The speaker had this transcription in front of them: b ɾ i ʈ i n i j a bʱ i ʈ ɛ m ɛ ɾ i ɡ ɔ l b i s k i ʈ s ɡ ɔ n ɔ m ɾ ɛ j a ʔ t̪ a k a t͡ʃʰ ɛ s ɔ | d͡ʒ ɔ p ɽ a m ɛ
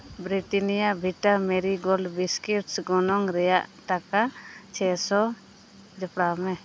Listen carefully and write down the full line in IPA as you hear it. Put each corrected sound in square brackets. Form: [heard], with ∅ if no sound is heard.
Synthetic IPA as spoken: b ɾ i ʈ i n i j a bʱ i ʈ [a] m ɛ ɾ i ɡ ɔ l b i s k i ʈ s ɡ ɔ n ɔ [ŋ] ɾ ɛ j a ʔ t̪ a k a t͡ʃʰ ɛ s ɔ | d͡ʒ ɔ p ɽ a m ɛ